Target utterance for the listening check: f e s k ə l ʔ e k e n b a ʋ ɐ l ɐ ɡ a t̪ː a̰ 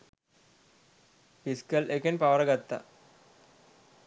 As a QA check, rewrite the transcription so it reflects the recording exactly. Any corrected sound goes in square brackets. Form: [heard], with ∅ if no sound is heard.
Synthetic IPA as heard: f [i] s k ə l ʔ e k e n [p] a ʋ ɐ [ɾ] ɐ ɡ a t̪ː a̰